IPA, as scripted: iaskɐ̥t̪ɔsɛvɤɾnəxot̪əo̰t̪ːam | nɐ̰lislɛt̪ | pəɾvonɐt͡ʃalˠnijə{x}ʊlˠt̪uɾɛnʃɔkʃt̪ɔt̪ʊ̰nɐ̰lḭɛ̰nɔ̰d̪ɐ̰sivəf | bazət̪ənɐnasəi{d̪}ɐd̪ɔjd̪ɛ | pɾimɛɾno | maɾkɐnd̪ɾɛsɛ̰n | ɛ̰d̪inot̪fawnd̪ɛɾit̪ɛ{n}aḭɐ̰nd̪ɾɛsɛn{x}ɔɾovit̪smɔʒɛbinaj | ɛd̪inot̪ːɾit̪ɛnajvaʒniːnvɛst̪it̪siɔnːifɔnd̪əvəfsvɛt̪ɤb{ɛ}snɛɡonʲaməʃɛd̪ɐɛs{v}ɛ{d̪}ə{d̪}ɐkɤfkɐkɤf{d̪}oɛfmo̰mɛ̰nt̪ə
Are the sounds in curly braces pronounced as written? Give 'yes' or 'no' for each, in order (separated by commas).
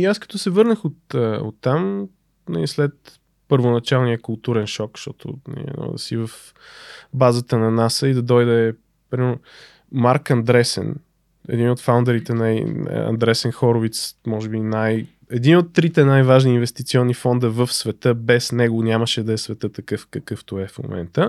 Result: no, yes, yes, yes, yes, yes, no, no, no